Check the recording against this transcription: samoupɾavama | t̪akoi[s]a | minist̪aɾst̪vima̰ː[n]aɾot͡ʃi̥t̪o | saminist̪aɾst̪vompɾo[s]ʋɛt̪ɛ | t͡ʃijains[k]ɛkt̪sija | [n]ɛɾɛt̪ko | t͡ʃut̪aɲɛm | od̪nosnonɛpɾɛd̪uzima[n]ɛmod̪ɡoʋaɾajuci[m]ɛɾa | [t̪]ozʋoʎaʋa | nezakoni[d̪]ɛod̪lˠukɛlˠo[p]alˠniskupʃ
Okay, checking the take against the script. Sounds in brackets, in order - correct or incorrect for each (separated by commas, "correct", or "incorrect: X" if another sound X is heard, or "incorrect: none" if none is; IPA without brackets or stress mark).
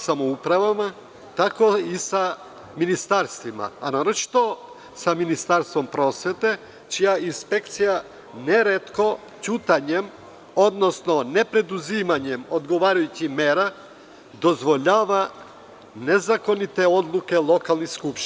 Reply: correct, correct, correct, incorrect: p, correct, incorrect: ɲ, correct, incorrect: d̪, incorrect: t̪, incorrect: k